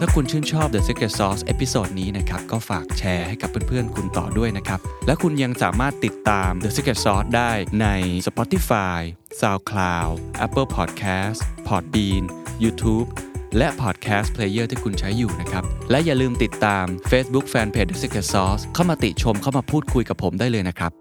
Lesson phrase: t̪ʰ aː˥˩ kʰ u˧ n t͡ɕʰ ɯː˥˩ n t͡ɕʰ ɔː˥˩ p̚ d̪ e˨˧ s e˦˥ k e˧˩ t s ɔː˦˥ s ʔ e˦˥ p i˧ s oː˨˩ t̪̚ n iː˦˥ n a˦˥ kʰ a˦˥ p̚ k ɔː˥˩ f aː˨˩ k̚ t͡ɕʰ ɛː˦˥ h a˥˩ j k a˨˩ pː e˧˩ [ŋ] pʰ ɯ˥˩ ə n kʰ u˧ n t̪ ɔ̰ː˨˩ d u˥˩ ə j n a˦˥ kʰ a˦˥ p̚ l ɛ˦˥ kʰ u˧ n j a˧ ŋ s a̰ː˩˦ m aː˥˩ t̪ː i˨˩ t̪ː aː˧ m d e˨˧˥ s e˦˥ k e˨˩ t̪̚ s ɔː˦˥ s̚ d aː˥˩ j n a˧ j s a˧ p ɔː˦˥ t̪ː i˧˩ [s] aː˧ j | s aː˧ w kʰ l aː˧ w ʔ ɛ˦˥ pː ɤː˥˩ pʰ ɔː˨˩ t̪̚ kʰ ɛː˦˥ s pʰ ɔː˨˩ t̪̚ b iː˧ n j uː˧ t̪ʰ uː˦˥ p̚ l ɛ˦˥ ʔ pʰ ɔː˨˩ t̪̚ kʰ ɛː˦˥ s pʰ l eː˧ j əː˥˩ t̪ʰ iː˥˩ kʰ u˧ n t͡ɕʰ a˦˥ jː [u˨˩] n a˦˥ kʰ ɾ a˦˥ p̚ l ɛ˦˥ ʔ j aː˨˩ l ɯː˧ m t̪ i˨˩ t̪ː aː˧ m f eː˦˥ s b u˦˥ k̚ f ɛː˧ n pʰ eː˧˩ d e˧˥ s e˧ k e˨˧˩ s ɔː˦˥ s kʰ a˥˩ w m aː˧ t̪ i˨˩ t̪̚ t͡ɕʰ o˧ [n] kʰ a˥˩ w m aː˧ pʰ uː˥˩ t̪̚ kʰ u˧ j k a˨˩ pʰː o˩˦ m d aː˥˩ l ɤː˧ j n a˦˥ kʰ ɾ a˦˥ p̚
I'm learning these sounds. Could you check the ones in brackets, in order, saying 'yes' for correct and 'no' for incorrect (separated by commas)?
no, no, no, no